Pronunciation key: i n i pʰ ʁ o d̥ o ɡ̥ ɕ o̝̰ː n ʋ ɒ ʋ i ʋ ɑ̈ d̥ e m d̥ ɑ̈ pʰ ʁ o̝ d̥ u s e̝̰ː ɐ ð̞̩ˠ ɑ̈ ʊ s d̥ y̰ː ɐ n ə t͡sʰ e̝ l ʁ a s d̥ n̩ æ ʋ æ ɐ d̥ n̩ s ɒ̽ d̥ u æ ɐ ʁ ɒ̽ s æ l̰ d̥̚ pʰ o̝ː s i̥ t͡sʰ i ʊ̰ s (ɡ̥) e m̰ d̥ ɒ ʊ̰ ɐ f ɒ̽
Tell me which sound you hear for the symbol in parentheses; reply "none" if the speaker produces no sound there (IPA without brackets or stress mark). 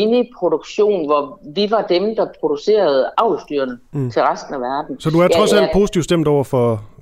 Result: d̥